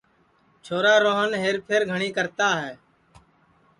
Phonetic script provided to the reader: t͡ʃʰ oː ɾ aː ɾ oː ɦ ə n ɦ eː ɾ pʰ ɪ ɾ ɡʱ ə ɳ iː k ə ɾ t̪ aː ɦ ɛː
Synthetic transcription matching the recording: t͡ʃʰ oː ɾ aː ɾ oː ɦ ə n ɦ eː ɾ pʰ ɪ ɾ ɡʱ ə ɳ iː k ə ɾ t̪ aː ɦ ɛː